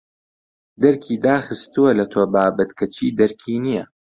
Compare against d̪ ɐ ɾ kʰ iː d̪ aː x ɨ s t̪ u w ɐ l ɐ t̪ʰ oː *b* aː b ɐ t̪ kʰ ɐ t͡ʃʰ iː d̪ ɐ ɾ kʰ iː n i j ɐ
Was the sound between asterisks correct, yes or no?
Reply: yes